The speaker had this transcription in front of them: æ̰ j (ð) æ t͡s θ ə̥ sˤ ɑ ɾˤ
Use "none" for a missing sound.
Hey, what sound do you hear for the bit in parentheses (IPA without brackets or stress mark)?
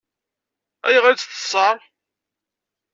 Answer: ʁ